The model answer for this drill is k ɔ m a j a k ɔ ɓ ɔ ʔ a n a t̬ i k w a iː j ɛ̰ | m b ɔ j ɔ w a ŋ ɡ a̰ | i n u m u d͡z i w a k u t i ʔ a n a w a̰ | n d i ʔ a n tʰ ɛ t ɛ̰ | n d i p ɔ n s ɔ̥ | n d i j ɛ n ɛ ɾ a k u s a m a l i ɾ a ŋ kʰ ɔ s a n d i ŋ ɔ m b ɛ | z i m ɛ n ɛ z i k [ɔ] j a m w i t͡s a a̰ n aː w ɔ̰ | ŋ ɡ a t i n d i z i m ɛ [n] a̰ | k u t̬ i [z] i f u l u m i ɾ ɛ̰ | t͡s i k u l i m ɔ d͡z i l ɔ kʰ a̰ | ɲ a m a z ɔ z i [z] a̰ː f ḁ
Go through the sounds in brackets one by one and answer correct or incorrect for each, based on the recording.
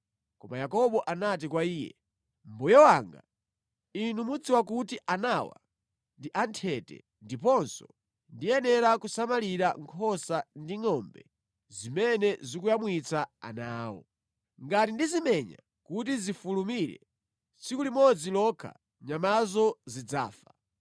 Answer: incorrect: u, incorrect: ɲ, correct, incorrect: d͡z

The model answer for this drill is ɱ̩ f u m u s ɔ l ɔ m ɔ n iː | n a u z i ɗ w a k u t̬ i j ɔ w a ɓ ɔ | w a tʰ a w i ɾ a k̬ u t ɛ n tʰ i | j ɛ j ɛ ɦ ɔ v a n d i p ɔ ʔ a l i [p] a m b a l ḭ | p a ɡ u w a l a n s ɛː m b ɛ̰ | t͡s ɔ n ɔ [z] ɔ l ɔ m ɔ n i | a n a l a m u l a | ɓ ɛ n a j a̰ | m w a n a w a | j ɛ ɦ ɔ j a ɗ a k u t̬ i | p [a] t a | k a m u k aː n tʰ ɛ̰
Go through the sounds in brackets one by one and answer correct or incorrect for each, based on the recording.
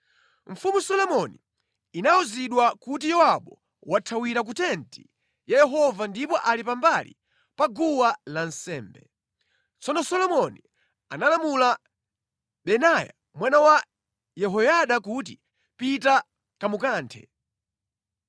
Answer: correct, incorrect: s, incorrect: i

